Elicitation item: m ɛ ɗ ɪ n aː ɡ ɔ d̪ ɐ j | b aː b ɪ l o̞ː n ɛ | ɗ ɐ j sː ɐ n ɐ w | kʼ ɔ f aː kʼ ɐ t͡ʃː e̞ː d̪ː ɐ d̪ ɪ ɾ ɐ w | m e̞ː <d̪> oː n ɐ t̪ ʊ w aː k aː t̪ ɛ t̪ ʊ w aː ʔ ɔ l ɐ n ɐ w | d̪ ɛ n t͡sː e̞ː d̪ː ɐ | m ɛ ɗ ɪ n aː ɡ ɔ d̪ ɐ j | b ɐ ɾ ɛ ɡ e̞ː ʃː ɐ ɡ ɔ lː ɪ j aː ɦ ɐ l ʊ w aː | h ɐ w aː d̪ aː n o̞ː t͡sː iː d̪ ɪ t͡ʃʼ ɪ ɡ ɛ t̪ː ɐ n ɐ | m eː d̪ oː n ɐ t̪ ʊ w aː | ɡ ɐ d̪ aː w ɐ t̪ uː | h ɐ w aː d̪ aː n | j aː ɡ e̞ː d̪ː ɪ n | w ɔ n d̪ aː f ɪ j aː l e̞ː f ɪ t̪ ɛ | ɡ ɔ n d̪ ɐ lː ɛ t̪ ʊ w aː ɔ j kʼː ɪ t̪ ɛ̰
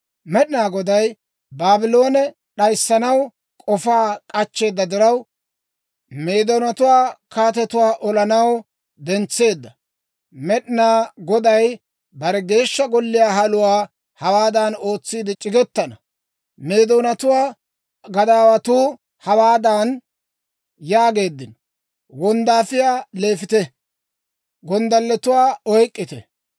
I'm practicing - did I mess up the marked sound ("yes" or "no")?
no